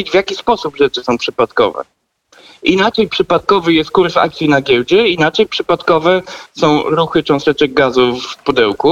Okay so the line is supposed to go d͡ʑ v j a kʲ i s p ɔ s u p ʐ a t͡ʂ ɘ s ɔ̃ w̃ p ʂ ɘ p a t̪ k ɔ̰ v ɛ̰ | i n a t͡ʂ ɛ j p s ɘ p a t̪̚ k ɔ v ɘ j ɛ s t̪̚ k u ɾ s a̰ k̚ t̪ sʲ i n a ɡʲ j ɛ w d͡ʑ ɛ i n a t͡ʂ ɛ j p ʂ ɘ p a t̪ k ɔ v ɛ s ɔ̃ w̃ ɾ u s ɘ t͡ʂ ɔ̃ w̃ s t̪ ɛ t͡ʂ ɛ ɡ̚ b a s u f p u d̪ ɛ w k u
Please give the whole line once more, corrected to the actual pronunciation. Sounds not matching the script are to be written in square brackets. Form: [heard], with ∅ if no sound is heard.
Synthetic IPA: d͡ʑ v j a kʲ i s p ɔ s u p ʐ [ɛ] t͡ʂ ɘ s ɔ̃ w̃ p ʂ ɘ p a t̪ k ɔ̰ v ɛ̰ | i n a t͡ʂ ɛ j p [ʂ] ɘ p a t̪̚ k ɔ v ɘ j ɛ s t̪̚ k u ɾ s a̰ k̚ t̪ sʲ i n a ɡʲ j ɛ w d͡ʑ ɛ i n a t͡ʂ ɛ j p ʂ ɘ p a t̪ k ɔ v ɛ s ɔ̃ w̃ ɾ u [x] ɘ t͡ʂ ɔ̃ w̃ s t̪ ɛ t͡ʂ ɛ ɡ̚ [ɡ] a [z] u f p u d̪ ɛ w k u